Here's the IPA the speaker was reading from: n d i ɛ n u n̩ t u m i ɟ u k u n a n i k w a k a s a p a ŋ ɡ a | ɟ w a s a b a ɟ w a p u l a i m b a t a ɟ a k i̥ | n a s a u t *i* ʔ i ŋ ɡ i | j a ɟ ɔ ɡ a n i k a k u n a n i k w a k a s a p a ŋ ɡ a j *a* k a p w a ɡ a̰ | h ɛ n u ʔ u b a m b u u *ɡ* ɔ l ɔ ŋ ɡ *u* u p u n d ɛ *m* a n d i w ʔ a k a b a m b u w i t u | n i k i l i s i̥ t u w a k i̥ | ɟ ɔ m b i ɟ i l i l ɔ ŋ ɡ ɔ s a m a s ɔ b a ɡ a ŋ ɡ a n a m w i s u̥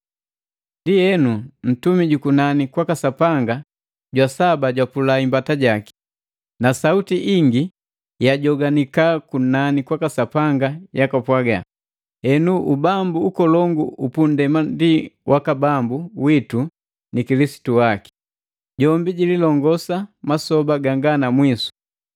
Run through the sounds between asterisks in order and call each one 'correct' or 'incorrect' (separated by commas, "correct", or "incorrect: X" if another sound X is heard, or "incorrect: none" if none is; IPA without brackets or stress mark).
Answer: correct, correct, incorrect: k, correct, correct